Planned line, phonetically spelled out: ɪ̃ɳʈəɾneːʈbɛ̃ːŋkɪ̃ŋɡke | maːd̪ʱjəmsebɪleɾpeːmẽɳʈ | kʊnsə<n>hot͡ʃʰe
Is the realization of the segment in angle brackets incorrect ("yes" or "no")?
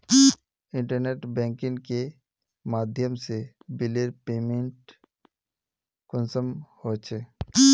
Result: yes